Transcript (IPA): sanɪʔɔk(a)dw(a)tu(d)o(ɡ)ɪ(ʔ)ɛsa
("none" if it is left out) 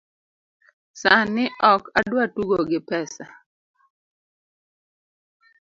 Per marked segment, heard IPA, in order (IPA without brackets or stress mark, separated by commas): a, a, ɡ, ɡ, p